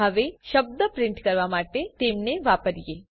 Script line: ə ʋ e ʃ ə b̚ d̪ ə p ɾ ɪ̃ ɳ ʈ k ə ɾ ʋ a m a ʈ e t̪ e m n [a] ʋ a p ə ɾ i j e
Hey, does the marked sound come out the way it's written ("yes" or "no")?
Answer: no